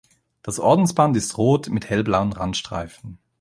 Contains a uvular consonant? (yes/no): yes